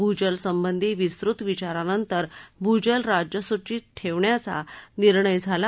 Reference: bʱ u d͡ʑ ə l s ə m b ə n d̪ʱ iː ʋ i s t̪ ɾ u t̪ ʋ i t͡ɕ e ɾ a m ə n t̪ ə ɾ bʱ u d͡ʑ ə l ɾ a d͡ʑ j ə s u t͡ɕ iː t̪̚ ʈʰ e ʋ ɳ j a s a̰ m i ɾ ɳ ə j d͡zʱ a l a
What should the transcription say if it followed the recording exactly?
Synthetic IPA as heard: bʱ u d͡ʑ ə l s ə m b ə n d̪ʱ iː ʋ i s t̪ ɾ u t̪ ʋ i t͡ɕ a ɾ a n ə n t̪ ə ɾ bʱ u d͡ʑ ə l ɾ a d͡ʑ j ə s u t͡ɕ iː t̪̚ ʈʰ e ʋ ɳ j a t͡s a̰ n i ɾ ɳ ə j d͡zʱ a l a

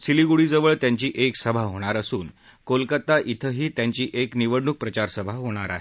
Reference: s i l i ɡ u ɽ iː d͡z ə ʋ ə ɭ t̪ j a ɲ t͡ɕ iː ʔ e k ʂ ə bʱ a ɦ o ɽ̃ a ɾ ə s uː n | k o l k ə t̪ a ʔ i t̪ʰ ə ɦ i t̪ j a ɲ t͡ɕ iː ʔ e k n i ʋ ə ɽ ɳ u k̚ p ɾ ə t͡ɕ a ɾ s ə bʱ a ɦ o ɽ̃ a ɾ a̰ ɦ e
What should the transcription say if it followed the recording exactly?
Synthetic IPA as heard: s i l i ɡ u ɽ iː d͡z ə ʋ ə ɭ t̪ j a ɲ t͡ɕ iː ʔ e k s ə bʱ a ɦ o ɽ̃ a ɾ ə s uː n | k o l k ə t̪ a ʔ i t̪ʰ ə ɦ iː t̪ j a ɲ t͡ɕ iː ʔ e k n i ʋ ə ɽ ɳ u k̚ p ɾ ə t͡ɕ a ɾ s ə bʱ a ɦ o ɽ̃ a ɾ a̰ ɦ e

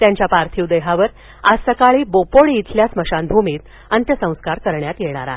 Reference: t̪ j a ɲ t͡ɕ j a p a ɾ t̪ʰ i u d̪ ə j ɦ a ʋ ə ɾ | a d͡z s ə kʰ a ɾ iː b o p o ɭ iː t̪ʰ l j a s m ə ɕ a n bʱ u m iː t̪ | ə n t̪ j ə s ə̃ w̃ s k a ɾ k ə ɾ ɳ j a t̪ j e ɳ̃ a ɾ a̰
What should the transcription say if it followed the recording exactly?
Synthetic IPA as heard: t̪ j a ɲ t͡ɕ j a p a ɾ t̪ʰ i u d̪ ə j ɦ a ʋ ə ɾ | a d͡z s ə k a ɭ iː b o p o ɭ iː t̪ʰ l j a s m ə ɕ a n bʱ u m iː t̪ | ə n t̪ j ə s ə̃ w̃ s k a ɾ k ə ɾ ɳ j a t̪ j e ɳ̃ a ɾ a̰

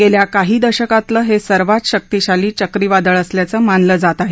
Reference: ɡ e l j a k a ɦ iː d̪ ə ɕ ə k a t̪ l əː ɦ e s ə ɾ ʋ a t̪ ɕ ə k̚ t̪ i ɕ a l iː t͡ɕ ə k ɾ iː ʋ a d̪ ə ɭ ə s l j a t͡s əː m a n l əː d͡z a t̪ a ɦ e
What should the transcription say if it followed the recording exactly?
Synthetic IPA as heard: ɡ e l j a k a ɦ iː d̪ ə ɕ ə k a t̪ l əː ɦ e s ə ɾ ʋ a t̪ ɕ ə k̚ t̪ i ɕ a l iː t͡ɕ ə k ɾ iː ʋ a d̪ ə ɭ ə s l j a t͡s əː m a n l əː d͡z a t̪ a ɦ e

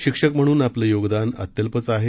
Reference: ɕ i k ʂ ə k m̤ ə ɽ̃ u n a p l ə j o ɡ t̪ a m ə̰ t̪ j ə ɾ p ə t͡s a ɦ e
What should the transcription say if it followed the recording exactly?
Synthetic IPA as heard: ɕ i k ʂ ə k m̤ ə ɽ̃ uː n a p l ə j o ɡ d̪ a n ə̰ t̪ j ə l p ə t͡s a ɦ e

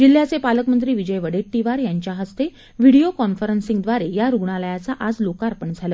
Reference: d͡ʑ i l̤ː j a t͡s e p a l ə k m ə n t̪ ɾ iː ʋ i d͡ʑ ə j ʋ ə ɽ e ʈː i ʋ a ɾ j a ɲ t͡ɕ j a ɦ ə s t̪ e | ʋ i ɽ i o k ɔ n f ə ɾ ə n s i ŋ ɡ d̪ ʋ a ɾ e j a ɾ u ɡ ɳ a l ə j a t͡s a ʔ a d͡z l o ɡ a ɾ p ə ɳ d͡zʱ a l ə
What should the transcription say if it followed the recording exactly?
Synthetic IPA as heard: d͡ʑ i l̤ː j a t͡s e p a l ə k m ə n t̪ ɾ iː ʋ i d͡ʑ ə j ʋ ə ɽ e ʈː i ʋ a ɾ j a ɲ t͡ɕ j a ɦ ə s t̪ e | ʋ i ɽ i o k ɔ n f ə ɾ ə n s i ŋ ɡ d̪ ʋ a ɾ e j a ɾ u ɡ ɳ a l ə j a t͡s a ʔ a d͡z l o k a ɾ p ə ɳ d͡zʱ a l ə

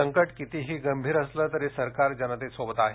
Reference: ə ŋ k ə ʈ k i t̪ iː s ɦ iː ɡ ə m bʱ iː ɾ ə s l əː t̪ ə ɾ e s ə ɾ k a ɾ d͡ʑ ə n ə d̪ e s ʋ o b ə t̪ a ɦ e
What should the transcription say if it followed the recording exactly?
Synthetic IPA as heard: ə ŋ k ə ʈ k i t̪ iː ɦ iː ɡ ə m bʱ iː ɾ ə s l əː t̪ ə ɾ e s ə ɾ k a ɾ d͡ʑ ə n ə t̪ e s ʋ o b ə t̪ a ɦ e

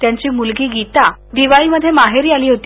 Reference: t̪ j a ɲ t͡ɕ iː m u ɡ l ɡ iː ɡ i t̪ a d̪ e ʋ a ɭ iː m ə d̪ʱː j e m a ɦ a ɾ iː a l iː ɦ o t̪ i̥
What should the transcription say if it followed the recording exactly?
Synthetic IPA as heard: t̪ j a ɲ t͡ɕ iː m u l ɡ iː ɡ i t̪ a d̪ i ʋ a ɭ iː m ə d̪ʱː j e m a ɦ e ɾ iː a l iː ɦ o t̪ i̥

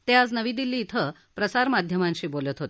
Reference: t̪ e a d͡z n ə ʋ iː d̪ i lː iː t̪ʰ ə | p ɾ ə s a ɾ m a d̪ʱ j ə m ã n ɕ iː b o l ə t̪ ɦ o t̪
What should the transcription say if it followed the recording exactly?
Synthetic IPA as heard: t̪ e a d͡z n ə ʋ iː d̪ i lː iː t̪ʰ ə | p ɾ ə s a ɾ m a d̪ʱ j ə m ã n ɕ iː b o l ə t̪ ɦ o t̪

